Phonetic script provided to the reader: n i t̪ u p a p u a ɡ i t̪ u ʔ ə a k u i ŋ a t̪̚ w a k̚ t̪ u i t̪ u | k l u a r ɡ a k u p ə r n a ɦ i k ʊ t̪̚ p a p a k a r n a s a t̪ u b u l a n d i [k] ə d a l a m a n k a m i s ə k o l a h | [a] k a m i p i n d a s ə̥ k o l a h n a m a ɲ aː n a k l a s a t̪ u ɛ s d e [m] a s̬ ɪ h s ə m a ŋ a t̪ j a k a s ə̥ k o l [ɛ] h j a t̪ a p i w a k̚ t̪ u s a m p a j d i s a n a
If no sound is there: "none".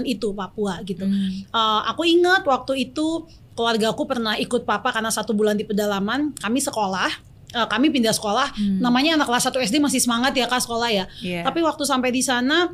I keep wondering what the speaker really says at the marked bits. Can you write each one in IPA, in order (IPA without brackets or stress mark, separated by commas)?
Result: p, ə, m, a